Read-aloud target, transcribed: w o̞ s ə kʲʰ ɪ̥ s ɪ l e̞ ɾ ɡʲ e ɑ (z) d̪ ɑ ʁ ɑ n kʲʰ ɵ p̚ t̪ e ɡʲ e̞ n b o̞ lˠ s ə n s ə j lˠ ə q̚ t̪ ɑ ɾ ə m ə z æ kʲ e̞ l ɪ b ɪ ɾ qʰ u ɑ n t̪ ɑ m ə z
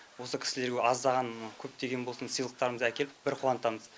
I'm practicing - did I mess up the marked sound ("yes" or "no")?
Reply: no